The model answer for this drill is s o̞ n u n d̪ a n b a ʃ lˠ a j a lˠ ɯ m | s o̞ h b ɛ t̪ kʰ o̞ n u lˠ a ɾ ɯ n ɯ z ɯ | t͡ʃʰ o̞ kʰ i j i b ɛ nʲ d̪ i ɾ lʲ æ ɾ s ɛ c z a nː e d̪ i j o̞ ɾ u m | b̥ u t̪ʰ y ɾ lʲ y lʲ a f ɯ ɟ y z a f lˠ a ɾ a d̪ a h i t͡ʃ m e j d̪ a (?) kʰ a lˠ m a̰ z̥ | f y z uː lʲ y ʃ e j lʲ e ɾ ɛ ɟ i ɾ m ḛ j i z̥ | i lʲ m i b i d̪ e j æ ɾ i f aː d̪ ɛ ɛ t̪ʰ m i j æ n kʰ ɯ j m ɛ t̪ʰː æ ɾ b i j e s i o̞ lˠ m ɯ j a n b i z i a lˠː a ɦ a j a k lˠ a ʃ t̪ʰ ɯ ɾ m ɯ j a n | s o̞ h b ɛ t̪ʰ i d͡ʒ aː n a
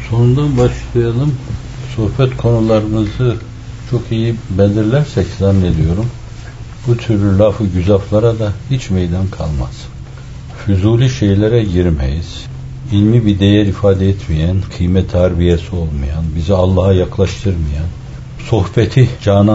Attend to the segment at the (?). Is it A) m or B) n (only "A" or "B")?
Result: B